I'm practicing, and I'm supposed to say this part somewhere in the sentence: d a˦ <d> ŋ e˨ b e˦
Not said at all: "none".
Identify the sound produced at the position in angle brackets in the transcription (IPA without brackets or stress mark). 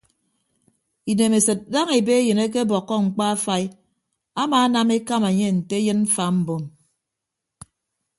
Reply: none